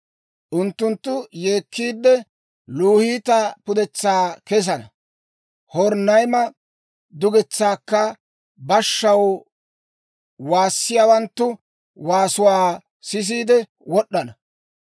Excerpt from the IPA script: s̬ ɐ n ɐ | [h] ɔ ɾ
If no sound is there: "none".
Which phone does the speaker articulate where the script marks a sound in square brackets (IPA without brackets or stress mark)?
h